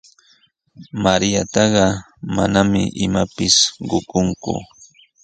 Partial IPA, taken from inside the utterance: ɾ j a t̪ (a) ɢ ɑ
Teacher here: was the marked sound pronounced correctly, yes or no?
no